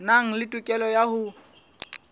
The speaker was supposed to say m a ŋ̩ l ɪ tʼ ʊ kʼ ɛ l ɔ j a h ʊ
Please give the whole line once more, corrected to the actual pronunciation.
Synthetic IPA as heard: n a ŋ̩ l ɪ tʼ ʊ kʼ ɛ l ɔ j a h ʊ